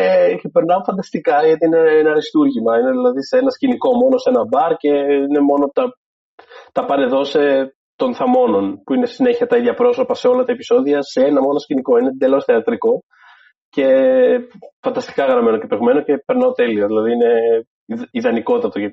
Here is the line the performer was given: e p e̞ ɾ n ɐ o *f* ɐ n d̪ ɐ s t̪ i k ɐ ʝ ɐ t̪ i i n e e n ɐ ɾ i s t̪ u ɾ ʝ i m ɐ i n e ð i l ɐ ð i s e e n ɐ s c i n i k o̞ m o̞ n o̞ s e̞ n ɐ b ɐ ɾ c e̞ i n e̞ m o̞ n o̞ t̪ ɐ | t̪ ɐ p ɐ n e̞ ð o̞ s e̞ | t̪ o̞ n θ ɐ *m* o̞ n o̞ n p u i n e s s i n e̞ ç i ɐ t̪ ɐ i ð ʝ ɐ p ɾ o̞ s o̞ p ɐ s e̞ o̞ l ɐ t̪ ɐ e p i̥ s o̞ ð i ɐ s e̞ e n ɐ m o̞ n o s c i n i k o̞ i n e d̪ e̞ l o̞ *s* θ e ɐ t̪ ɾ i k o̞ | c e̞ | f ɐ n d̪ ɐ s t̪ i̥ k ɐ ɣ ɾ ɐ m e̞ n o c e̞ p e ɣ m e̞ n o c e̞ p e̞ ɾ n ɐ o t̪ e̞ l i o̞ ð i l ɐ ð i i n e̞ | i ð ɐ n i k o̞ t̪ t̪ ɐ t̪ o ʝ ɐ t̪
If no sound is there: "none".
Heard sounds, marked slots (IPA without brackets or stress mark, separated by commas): f, m, s